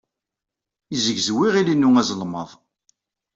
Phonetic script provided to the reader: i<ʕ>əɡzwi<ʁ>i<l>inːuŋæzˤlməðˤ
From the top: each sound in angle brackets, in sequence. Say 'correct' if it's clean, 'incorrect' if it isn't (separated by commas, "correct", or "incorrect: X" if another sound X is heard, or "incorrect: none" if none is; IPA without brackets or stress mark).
incorrect: z, correct, correct